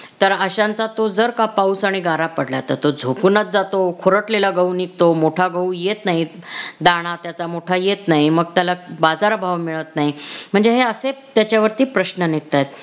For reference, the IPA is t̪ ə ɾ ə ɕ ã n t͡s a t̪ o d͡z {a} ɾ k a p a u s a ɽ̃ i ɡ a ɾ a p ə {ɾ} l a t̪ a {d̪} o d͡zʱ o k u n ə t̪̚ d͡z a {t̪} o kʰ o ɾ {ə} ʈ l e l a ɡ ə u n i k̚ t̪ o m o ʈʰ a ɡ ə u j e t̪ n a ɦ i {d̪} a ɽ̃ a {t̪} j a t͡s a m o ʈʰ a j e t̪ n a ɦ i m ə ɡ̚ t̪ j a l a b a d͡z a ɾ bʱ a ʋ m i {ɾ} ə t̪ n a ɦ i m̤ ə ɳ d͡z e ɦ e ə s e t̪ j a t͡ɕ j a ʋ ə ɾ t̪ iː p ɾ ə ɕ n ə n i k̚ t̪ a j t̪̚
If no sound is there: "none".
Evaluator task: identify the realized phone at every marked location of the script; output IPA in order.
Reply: ə, ɽ, t̪, t̪, ə, d̪, t̪, ɭ

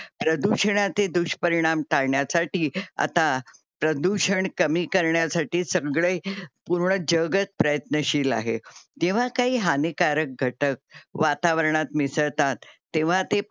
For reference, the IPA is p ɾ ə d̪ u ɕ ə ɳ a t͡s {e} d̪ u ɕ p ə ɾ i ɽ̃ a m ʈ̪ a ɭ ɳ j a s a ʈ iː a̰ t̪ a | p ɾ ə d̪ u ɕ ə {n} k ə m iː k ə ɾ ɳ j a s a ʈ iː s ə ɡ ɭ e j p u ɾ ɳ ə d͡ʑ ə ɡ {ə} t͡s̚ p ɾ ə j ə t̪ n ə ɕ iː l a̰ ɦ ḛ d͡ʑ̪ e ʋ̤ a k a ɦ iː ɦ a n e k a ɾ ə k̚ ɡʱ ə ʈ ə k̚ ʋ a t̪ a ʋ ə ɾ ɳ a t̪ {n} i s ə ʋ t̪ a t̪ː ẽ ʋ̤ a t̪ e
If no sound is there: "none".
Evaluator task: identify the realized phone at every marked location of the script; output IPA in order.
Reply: e, ɳ, ə, m

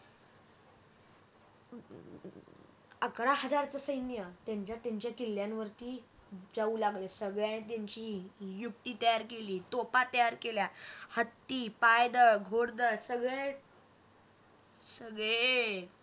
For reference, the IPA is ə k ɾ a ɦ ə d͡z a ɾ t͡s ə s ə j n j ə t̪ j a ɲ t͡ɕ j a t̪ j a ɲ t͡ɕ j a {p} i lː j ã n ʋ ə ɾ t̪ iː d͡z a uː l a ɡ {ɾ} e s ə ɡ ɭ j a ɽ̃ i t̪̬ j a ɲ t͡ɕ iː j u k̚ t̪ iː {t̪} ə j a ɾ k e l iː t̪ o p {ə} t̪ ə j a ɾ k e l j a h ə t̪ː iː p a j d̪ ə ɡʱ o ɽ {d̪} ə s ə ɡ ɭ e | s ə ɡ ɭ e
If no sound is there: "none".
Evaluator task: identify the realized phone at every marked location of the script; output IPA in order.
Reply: k, l, t̪, a, d̪

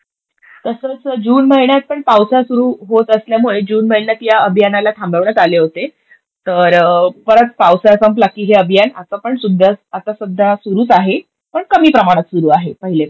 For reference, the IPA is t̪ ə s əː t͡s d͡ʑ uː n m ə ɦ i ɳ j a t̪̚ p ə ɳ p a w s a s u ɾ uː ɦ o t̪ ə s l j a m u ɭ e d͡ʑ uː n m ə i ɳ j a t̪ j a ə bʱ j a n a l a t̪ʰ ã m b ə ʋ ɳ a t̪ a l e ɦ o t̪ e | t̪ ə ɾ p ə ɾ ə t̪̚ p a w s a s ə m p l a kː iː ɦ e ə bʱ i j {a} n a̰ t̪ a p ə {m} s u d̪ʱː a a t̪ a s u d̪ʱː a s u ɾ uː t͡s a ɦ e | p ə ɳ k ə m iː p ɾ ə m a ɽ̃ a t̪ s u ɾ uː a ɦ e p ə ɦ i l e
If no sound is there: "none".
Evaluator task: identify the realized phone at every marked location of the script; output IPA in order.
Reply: a, ɳ

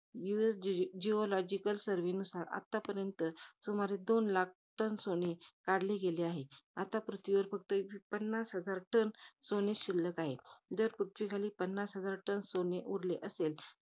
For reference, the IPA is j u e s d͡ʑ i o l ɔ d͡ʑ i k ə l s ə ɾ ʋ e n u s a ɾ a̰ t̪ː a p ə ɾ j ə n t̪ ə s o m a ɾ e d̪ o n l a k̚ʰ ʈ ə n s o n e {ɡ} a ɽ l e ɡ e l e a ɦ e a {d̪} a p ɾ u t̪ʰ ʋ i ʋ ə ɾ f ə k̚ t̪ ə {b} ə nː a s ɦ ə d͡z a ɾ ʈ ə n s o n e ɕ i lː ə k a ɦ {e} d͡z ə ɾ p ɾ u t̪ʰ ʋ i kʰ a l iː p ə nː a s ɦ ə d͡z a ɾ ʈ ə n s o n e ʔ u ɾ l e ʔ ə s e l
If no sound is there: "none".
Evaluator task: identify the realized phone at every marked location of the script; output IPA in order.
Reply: k, t̪, p, e

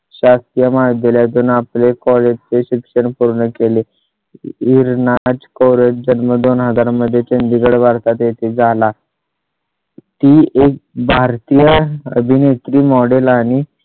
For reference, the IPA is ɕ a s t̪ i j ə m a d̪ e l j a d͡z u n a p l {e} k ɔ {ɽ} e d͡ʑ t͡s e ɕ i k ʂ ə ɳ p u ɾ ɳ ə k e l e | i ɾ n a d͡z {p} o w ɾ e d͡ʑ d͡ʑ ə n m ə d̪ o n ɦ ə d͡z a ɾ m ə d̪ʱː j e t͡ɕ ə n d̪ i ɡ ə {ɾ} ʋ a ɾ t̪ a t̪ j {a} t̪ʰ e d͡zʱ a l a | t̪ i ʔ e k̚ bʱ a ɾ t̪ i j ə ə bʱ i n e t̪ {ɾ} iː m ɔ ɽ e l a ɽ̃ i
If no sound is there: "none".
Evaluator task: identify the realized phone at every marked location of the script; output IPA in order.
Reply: e, l, k, ɽ, e, ɾ

